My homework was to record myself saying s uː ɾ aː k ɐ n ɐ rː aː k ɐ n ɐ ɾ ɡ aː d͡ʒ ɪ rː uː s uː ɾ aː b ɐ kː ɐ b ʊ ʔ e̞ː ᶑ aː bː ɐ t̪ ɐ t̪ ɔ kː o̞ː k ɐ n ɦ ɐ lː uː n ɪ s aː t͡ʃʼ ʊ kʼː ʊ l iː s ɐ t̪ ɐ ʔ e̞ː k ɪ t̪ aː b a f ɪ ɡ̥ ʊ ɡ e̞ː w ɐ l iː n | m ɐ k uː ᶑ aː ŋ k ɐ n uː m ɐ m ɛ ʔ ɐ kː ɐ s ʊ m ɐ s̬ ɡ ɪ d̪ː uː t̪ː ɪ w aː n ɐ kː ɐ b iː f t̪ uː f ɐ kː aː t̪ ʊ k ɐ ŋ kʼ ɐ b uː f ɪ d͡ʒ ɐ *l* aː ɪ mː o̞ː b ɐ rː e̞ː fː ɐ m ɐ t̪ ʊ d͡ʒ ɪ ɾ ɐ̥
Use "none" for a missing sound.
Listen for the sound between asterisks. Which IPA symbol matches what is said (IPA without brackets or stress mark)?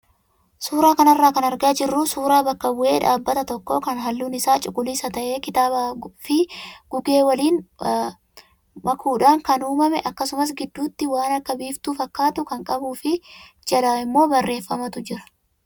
l